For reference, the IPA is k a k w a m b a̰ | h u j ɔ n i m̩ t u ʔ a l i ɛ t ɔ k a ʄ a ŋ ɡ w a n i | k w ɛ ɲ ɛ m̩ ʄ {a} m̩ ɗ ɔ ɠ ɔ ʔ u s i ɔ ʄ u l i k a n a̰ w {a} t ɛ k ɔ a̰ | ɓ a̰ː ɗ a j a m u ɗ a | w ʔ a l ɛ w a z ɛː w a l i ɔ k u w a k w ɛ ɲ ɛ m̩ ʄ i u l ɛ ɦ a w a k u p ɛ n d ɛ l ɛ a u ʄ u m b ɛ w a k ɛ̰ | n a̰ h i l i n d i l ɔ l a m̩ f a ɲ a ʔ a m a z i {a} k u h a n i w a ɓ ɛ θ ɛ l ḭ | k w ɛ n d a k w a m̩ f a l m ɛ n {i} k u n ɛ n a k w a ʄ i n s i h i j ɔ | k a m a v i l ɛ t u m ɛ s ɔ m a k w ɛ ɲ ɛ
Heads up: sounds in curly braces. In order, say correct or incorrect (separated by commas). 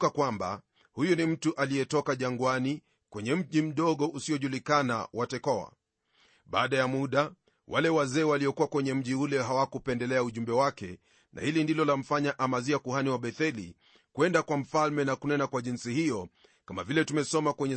incorrect, correct, correct, incorrect